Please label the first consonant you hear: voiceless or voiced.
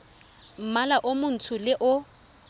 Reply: voiced